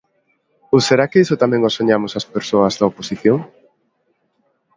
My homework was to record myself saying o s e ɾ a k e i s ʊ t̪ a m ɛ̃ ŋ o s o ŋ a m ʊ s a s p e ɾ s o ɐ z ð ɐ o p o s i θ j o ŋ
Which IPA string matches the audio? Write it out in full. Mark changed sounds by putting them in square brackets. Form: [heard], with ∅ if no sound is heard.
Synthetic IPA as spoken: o s e ɾ a k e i s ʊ t̪ a m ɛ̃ ŋ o s o [ɲ] a m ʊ s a s p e ɾ s o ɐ z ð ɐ o p o s i θ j o ŋ